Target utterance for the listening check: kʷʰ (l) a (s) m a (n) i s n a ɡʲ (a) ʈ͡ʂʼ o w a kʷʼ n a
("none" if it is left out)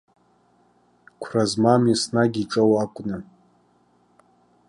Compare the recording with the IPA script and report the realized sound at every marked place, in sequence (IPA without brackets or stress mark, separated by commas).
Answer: r, z, m, i